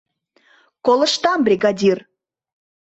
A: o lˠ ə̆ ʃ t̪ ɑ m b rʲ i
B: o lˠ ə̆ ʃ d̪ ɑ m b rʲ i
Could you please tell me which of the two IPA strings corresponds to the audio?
A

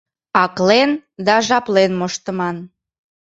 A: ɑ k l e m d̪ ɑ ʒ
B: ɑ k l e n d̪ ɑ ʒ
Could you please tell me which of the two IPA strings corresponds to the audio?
B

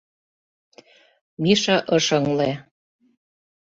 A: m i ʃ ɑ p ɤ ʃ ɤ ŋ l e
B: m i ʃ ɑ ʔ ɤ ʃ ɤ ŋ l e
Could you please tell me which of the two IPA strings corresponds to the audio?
B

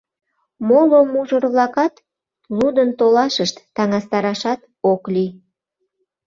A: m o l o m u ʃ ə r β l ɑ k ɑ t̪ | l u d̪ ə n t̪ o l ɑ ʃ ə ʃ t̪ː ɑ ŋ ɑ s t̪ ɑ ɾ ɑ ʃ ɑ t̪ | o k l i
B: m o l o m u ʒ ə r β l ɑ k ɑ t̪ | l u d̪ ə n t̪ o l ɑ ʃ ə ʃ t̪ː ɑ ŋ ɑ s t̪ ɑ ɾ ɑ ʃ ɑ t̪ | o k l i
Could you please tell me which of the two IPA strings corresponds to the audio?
B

